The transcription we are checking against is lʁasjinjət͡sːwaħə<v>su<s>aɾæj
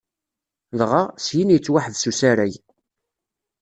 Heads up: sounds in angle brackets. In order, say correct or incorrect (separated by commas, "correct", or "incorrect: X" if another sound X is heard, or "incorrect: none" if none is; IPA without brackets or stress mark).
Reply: incorrect: ð, correct